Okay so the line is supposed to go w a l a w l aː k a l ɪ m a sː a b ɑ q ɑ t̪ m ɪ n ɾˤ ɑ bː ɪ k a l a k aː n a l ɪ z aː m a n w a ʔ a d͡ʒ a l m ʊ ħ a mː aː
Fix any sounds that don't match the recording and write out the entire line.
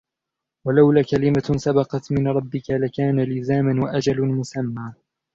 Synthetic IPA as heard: w a l a w l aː k a l ɪ m a s a b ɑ q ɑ t̪ m ɪ n ɾˤ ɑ bː ɪ k a l a k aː n a l ɪ z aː m a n w a ʔ a d͡ʒ a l m ʊ s a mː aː